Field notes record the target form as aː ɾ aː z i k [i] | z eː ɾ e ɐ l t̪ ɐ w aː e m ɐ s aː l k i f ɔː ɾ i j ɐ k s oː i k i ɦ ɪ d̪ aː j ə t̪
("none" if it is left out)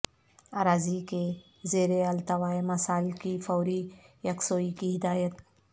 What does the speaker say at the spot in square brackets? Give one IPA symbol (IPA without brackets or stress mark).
e